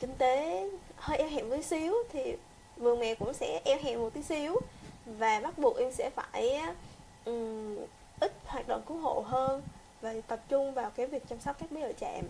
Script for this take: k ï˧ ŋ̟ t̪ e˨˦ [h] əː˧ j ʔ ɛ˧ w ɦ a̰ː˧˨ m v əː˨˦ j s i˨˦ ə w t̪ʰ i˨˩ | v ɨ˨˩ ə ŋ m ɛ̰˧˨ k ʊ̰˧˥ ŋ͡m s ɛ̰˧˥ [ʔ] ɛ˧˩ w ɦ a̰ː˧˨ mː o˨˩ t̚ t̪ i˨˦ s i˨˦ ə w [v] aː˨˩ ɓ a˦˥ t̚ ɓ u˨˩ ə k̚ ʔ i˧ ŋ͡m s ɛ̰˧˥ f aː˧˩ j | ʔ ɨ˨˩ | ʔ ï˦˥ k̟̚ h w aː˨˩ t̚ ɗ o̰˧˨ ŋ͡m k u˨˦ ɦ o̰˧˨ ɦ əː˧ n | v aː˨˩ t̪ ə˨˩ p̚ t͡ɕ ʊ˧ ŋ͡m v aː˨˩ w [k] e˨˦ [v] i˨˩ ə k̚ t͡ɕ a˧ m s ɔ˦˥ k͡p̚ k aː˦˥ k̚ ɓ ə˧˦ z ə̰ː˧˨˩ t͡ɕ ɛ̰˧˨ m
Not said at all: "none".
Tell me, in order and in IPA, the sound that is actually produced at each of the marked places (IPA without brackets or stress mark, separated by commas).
h, ʔ, v, k, v